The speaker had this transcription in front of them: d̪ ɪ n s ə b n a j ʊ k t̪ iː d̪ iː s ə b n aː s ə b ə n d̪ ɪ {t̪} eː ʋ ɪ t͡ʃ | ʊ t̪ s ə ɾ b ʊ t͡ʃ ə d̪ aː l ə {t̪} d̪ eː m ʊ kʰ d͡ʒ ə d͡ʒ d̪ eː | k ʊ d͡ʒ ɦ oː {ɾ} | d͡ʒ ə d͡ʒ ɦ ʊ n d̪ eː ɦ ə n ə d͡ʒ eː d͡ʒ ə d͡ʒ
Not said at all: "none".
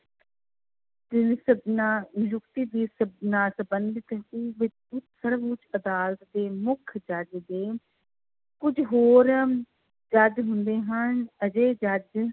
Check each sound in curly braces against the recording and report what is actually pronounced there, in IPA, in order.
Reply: t̪, t̪, ɾ

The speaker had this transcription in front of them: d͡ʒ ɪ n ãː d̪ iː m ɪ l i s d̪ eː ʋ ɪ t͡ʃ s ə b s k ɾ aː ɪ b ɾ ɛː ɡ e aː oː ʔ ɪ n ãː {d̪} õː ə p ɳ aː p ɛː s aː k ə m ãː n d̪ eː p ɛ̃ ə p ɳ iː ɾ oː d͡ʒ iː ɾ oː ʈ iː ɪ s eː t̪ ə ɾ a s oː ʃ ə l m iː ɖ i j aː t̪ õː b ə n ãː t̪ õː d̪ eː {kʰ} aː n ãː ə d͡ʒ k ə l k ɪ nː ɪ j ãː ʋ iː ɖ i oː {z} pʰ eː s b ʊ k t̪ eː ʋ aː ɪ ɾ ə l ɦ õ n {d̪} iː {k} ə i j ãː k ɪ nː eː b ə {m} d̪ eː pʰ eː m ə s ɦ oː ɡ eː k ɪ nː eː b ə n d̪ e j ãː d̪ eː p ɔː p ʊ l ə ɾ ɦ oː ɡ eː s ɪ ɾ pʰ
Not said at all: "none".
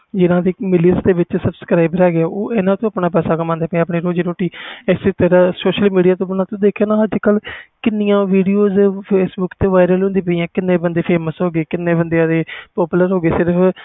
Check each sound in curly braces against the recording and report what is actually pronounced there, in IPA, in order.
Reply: t̪, kʰ, z, d̪, p, n

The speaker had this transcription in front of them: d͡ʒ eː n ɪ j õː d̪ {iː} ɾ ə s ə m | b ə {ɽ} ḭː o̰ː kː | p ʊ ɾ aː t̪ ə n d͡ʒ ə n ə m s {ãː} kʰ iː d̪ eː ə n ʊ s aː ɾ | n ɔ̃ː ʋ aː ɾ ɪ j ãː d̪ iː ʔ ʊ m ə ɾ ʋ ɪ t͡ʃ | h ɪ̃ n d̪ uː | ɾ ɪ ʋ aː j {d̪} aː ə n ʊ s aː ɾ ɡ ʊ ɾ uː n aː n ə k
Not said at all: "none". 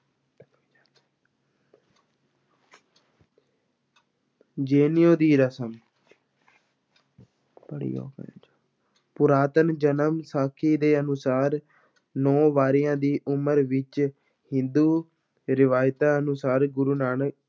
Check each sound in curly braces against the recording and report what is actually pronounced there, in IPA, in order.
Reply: iː, ɽ, aː, t̪

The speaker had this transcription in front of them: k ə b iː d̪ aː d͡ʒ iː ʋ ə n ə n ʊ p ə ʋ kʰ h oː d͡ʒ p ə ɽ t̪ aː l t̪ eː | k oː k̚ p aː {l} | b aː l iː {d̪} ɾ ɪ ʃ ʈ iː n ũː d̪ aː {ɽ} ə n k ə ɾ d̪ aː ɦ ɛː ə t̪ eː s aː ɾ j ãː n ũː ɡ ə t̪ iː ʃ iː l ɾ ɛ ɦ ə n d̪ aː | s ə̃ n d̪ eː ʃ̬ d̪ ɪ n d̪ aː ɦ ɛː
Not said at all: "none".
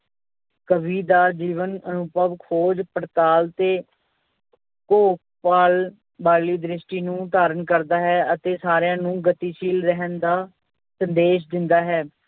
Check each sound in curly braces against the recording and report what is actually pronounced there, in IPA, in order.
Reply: l, d̪, ɾ

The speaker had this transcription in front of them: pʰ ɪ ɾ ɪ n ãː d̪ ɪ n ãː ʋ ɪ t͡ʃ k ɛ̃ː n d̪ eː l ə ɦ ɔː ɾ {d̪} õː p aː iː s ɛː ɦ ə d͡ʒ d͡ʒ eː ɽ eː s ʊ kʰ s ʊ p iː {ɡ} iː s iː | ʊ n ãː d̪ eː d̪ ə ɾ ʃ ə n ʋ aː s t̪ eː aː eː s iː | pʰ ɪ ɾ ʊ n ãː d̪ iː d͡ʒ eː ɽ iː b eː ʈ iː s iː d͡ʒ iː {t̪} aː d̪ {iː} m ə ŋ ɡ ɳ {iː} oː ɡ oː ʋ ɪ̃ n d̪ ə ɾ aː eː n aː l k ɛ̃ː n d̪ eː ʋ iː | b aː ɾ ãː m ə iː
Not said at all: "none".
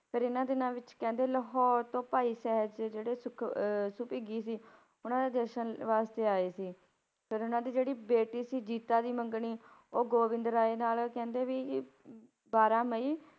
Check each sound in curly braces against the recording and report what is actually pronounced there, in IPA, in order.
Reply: t̪, ɡ, t̪, iː, iː

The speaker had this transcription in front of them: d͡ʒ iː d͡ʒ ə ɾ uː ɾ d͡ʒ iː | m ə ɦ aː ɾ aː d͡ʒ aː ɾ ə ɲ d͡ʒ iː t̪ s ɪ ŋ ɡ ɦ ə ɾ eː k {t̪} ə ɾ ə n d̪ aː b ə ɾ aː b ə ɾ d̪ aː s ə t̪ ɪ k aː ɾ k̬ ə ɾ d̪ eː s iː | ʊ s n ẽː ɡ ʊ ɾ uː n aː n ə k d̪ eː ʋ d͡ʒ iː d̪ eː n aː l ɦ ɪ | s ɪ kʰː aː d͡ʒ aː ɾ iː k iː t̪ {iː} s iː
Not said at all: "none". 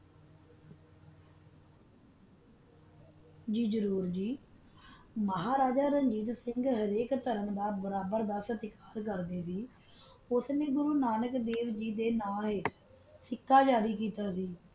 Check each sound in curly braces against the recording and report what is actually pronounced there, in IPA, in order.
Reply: t̪, aː

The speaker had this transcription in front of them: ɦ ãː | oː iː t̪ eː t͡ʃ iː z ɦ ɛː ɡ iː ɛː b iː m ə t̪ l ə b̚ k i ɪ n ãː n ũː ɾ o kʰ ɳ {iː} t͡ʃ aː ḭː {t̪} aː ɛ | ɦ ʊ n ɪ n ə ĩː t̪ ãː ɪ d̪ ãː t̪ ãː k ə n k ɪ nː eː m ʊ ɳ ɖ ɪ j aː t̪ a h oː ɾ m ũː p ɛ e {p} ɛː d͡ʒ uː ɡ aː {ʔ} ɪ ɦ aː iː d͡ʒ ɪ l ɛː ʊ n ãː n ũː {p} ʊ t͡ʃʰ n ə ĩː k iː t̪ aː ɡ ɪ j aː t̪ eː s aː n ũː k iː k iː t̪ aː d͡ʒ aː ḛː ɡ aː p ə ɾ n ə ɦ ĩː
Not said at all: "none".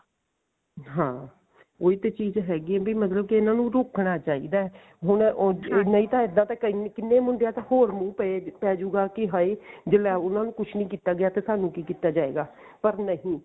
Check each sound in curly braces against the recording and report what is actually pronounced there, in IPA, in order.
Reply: aː, d̪, p, k, k

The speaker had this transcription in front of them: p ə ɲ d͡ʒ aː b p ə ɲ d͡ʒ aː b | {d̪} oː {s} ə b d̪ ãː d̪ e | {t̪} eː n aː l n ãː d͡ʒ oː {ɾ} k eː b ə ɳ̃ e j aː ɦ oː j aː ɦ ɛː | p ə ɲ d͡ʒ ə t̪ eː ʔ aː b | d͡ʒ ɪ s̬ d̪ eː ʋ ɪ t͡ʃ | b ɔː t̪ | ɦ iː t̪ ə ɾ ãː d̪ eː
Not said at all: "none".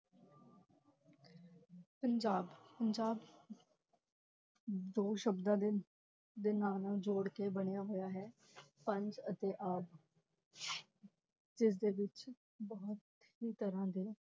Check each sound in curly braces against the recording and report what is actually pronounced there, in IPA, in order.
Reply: d̪, ʃ, d̪, ɽ

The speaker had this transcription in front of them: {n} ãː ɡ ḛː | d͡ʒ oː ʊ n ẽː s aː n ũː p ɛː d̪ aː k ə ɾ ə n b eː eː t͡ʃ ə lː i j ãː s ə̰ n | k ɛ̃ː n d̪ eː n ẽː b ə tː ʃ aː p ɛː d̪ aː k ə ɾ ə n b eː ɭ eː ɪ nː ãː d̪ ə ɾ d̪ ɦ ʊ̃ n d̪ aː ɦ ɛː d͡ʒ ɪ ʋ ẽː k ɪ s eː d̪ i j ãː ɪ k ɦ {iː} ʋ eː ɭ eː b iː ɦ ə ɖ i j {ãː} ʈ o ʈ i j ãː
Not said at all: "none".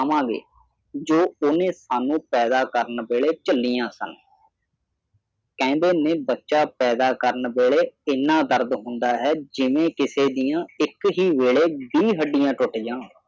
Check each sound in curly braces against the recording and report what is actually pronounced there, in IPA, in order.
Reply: m, iː, ãː

